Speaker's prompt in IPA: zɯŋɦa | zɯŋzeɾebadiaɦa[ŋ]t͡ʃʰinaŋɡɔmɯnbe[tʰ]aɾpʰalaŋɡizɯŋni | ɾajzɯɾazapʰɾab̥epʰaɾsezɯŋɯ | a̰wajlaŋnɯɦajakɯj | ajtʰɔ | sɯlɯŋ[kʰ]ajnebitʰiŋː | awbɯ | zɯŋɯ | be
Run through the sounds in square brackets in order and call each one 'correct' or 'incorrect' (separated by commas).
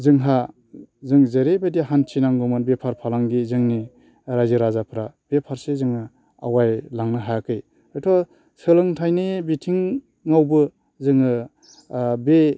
incorrect, incorrect, incorrect